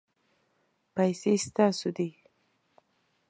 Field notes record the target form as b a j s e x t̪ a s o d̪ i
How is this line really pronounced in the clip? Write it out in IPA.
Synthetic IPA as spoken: p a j s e s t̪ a s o d̪ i